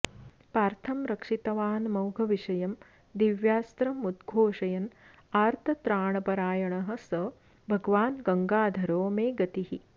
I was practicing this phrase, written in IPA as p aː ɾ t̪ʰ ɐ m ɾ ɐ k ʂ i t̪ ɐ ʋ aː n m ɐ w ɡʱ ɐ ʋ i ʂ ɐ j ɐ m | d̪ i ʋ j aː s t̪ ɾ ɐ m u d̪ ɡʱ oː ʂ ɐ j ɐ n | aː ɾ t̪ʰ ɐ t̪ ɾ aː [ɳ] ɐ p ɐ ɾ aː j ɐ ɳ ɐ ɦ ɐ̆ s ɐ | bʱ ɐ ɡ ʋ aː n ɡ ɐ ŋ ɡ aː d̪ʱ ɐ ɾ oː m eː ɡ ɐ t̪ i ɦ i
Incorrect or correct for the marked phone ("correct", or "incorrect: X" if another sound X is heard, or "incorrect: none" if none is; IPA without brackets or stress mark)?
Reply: correct